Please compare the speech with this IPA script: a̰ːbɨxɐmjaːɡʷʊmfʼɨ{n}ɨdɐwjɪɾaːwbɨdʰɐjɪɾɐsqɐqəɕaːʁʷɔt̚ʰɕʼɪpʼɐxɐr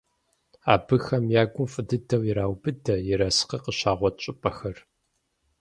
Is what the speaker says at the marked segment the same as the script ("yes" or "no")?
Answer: no